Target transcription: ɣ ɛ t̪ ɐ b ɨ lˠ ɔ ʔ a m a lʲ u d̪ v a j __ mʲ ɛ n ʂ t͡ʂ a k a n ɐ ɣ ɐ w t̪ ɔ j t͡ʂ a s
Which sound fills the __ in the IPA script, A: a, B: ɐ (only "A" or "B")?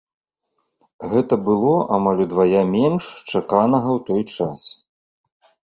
A